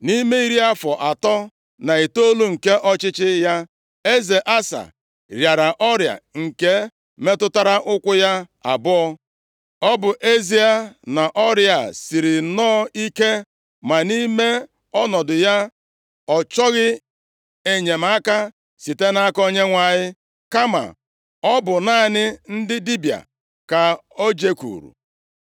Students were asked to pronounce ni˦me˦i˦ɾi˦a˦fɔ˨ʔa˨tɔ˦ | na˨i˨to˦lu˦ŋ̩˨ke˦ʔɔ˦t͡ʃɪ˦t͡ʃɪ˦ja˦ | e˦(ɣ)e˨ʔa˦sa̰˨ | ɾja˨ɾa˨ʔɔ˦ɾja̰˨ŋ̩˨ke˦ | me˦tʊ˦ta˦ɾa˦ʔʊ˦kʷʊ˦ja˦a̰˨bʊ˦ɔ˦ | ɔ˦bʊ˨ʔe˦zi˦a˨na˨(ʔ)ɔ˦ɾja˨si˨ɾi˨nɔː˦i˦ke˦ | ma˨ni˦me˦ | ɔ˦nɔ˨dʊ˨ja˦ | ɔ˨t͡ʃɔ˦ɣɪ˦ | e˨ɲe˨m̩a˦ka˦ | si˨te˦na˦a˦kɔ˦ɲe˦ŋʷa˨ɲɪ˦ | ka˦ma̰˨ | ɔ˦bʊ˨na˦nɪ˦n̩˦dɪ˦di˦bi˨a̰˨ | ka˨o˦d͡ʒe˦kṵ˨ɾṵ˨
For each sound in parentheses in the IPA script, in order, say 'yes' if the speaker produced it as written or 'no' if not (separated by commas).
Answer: no, yes